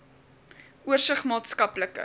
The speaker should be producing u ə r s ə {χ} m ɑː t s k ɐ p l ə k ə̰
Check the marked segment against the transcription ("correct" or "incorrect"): correct